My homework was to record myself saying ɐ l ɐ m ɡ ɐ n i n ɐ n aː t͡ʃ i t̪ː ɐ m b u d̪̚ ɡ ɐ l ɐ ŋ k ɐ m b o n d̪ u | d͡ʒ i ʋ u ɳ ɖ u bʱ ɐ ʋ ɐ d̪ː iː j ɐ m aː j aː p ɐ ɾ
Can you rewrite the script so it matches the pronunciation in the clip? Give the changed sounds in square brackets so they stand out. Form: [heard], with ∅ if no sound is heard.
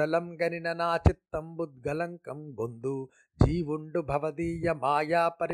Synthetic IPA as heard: ɐ l ɐ m ɡ ɐ n i n ɐ n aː t͡ʃ i t̪ː ɐ m b u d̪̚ ɡ ɐ l ɐ ŋ k ɐ m [ɡ] o n d̪ u | d͡ʒ [iː] ʋ u ɳ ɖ u bʱ ɐ ʋ ɐ [d̪] iː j ɐ m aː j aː p ɐ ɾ